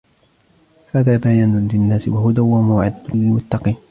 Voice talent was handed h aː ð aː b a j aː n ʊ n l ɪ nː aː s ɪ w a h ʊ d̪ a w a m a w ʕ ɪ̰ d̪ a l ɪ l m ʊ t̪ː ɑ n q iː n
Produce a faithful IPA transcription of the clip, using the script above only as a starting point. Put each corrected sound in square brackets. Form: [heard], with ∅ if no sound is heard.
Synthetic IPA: h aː ð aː b a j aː n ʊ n l ɪ nː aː s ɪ w a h ʊ d̪ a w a m a w ʕ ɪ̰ d̪ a l ɪ l m ʊ t̪ː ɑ [∅] q iː n